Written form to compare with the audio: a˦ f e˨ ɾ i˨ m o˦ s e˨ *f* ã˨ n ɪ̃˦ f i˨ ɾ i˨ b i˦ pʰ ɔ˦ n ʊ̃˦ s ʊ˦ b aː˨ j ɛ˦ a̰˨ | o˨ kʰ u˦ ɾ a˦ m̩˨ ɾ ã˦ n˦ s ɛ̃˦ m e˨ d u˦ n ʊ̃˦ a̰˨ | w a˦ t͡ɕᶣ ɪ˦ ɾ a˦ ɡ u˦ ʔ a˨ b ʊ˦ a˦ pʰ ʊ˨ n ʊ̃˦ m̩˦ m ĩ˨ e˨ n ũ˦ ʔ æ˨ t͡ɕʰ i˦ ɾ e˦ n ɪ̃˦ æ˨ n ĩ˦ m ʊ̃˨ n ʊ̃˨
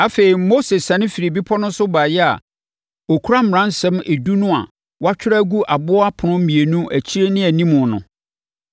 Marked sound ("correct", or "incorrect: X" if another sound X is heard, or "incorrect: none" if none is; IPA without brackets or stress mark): incorrect: s